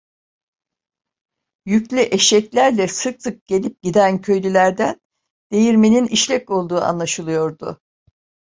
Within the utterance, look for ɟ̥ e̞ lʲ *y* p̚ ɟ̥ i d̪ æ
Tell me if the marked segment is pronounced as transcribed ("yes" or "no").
no